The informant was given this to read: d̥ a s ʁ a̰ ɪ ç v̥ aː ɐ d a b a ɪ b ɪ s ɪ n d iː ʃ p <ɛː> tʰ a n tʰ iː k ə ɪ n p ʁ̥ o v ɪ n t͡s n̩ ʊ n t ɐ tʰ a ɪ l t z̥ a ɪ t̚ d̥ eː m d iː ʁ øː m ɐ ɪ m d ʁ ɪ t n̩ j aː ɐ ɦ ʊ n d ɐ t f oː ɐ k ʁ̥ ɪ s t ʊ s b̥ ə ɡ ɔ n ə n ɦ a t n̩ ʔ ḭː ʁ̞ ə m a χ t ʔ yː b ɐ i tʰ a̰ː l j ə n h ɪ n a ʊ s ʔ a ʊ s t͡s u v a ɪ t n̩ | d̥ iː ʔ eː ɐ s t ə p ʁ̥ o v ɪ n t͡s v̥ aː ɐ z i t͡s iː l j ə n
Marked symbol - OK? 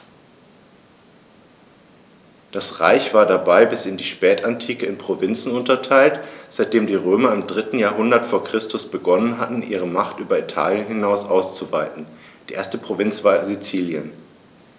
yes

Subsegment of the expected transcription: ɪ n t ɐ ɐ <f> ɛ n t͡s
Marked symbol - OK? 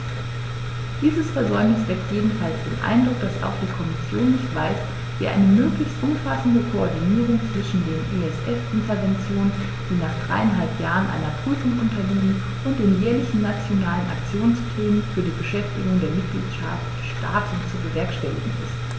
no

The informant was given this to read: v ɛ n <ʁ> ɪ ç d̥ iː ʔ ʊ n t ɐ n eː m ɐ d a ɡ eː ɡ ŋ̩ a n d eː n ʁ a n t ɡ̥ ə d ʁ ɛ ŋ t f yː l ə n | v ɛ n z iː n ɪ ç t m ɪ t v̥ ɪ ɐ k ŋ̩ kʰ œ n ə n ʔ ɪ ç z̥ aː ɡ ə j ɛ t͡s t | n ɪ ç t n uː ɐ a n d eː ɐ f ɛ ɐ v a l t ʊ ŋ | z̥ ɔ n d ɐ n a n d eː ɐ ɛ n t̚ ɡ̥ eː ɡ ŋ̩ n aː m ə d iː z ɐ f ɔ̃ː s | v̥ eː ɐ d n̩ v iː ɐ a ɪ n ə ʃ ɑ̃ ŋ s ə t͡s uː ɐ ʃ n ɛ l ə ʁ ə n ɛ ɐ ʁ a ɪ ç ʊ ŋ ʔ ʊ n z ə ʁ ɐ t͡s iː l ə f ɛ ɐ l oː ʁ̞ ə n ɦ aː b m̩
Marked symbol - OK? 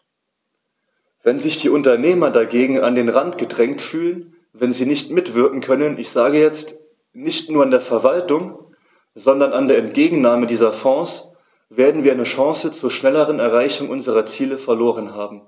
no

